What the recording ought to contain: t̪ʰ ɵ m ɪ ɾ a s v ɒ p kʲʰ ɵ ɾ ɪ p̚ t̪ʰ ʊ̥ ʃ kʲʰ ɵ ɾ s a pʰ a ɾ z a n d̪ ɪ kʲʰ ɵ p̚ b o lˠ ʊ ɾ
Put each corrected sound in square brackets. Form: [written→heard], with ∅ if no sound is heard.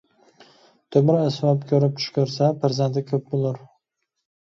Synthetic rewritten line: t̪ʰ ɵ m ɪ ɾ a s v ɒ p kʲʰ ɵ ɾ ɪ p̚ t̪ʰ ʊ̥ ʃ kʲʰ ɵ ɾ s a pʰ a ɾ z a n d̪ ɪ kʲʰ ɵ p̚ b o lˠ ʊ ɾ